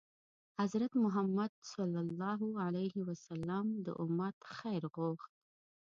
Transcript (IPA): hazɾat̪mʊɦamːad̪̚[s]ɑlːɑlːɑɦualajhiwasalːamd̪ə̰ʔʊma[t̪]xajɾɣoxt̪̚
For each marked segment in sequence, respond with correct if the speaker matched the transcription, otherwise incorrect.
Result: correct, correct

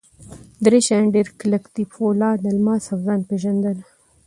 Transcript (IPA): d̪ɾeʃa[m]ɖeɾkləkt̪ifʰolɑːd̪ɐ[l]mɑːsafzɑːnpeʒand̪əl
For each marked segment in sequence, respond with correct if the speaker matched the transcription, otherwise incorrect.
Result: incorrect: ɳ, correct

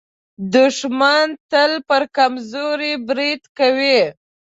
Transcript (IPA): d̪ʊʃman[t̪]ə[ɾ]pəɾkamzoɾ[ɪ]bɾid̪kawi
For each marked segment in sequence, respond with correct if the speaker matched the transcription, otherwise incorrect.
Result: correct, incorrect: l, incorrect: i

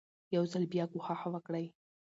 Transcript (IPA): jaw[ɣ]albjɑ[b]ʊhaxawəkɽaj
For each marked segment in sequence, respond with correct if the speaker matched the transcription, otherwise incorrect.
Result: incorrect: z, incorrect: ɡ

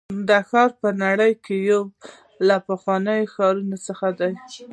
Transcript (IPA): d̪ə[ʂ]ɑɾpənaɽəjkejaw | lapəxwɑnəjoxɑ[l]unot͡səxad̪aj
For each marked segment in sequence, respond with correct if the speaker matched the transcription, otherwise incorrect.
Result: incorrect: x, incorrect: ɾ

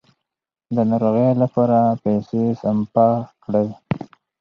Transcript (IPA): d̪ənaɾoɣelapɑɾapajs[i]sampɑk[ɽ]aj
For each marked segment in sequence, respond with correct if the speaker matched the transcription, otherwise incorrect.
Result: incorrect: e, correct

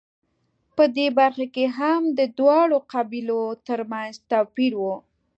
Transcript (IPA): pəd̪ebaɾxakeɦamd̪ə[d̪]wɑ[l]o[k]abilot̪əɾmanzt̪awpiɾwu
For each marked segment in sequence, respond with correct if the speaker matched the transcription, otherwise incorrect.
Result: correct, incorrect: ɽ, incorrect: q

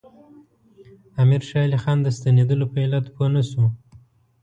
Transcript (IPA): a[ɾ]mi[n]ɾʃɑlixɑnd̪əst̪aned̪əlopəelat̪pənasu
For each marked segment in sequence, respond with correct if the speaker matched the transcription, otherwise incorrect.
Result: incorrect: none, incorrect: none

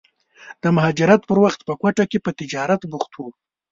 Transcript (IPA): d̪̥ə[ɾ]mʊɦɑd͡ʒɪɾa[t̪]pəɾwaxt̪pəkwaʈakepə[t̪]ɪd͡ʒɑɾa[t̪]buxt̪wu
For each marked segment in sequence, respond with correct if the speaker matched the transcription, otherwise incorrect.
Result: incorrect: none, correct, correct, correct

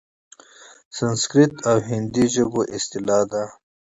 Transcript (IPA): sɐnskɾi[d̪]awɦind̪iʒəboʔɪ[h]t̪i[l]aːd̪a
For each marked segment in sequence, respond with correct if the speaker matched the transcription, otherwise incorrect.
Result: incorrect: t̪, incorrect: s, correct

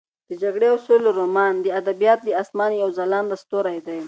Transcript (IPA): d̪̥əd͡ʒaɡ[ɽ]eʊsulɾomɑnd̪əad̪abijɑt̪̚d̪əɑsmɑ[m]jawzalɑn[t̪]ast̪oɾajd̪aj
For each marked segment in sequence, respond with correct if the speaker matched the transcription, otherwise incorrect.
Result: correct, incorrect: n, incorrect: d̪

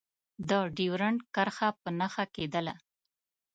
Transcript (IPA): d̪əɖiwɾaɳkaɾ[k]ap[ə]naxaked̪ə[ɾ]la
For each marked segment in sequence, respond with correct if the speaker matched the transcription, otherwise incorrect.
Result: incorrect: x, correct, incorrect: none

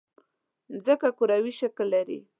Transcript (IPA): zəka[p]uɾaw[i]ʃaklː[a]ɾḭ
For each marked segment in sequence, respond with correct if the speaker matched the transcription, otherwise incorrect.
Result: incorrect: k, correct, correct

